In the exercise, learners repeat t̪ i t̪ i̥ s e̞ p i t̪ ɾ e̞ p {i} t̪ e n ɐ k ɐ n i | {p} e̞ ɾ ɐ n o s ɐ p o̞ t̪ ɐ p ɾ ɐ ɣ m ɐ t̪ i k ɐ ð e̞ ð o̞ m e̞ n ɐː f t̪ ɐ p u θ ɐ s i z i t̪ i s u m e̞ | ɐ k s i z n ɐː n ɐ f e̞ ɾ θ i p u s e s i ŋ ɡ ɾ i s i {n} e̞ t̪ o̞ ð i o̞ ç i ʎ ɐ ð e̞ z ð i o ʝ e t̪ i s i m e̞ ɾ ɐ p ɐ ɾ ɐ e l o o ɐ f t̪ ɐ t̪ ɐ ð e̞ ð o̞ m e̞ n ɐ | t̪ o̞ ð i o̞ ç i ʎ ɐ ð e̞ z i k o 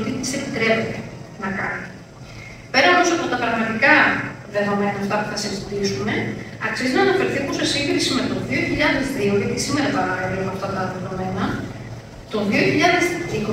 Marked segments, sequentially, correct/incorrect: incorrect, correct, incorrect

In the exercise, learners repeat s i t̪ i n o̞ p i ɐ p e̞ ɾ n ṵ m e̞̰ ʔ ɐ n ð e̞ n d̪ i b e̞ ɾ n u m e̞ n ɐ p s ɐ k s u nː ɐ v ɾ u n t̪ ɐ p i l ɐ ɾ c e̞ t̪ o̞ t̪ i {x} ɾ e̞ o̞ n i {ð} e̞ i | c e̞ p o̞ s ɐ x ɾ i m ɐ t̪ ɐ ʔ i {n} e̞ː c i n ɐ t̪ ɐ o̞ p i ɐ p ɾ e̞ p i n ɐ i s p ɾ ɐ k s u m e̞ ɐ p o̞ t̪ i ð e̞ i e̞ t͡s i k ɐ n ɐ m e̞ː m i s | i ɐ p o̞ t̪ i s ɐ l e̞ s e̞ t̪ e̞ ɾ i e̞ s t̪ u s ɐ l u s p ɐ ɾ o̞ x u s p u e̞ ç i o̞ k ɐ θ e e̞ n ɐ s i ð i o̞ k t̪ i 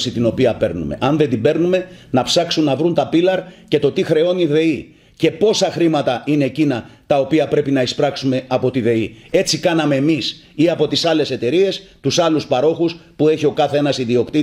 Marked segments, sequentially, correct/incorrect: correct, correct, correct

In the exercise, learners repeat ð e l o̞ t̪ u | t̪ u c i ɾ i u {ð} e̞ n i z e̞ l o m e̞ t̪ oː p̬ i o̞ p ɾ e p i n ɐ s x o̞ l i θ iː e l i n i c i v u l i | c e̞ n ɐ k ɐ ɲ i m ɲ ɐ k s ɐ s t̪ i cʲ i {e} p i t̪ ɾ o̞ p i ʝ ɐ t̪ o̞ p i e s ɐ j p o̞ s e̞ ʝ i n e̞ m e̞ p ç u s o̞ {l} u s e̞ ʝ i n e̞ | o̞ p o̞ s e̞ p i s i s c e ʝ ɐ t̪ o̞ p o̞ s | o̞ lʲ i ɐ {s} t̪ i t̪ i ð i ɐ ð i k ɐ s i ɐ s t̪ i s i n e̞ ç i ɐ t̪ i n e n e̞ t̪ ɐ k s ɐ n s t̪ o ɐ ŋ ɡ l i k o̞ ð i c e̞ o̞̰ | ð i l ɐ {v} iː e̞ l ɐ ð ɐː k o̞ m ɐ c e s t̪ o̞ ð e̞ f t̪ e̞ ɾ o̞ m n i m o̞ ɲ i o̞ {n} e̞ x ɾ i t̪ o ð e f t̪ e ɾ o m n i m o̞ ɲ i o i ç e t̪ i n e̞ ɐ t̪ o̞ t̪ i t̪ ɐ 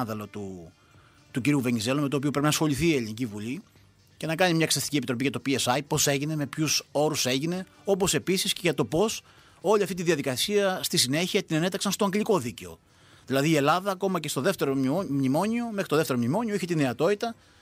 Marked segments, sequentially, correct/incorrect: incorrect, correct, incorrect, incorrect, incorrect, incorrect

